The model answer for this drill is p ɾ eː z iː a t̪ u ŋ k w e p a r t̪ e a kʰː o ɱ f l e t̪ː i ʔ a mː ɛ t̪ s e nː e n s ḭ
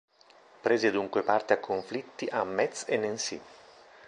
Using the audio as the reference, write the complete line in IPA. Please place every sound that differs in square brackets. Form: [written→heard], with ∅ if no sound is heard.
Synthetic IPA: p ɾ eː z [iː→i] a [t̪→d̪] u ŋ k w e p a r t̪ e a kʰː o ɱ f l [e→i] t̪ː i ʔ a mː ɛ t̪ s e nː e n s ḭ